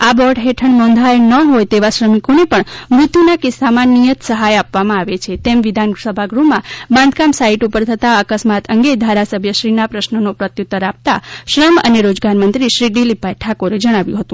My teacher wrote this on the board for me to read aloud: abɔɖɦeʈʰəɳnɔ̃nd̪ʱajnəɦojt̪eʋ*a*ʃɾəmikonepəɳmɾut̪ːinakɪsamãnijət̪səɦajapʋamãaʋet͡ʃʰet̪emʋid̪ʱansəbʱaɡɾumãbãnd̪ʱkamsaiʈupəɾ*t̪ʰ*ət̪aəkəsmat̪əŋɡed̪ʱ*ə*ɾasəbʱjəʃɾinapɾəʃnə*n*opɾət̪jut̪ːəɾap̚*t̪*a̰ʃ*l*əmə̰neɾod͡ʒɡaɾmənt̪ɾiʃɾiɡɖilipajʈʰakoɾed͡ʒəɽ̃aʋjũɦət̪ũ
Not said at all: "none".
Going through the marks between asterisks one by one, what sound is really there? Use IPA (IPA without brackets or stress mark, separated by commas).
a, t̪ʰ, a, n, t̪, ɾ